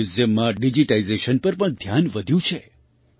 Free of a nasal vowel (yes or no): no